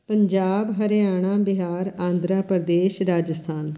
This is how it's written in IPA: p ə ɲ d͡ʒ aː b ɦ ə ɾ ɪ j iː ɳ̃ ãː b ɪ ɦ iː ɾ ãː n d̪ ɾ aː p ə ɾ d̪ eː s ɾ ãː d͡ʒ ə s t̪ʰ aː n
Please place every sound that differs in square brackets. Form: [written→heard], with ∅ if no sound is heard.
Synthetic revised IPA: p ə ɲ d͡ʒ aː b ɦ ə ɾ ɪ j [iː→aː] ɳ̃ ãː b ɪ ɦ [iː→aː] ɾ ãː n d̪ ɾ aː p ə ɾ d̪ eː [s→ʃ] ɾ [ãː→aː] d͡ʒ ə s t̪ʰ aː n